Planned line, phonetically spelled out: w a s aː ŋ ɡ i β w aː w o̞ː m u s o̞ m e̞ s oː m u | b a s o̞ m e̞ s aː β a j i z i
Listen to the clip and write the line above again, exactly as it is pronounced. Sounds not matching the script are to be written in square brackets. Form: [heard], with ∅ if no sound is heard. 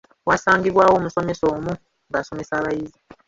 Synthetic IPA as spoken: w a s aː ŋ ɡ i β w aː w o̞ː m u s o̞ m e̞ s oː m u | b a s o̞ m e̞ s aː β a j i z i